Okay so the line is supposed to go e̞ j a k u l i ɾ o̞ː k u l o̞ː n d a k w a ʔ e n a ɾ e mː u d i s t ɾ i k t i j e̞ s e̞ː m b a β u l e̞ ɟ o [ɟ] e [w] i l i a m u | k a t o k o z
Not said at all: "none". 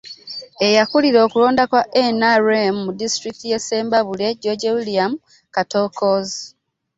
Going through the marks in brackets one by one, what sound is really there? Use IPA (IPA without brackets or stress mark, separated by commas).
ɟ, w